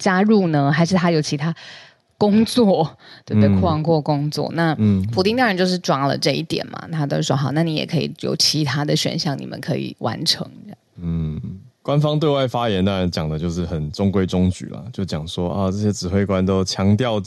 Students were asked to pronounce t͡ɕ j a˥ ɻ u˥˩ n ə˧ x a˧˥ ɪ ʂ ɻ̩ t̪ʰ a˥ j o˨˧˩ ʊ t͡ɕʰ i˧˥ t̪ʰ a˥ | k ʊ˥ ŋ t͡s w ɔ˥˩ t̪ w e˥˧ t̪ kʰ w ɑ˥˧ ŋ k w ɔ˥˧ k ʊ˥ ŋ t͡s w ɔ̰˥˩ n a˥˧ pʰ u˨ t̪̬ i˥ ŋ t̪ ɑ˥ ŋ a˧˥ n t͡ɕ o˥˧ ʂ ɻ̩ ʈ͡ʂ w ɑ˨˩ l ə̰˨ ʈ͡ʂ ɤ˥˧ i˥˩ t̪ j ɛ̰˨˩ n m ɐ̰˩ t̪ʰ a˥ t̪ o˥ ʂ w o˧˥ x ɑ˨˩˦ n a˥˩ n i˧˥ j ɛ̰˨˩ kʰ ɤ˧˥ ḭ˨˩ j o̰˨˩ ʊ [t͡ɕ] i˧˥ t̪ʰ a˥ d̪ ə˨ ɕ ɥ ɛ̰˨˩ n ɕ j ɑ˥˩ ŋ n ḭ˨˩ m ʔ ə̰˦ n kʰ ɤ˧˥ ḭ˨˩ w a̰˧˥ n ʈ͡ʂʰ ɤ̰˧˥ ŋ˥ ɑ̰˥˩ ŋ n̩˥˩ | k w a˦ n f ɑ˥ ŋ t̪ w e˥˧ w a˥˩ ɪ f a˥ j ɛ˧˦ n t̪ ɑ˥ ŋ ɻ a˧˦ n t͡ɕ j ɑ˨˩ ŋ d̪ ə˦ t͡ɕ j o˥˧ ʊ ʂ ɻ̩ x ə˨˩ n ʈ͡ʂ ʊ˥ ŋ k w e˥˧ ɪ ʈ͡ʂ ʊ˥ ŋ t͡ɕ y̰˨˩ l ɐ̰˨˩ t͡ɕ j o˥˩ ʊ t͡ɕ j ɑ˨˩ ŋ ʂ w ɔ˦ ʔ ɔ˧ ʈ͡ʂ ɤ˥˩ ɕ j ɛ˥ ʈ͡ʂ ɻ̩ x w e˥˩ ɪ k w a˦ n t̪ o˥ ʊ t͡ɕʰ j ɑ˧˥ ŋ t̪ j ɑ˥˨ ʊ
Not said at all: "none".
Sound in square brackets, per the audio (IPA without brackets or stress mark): t͡ɕʰ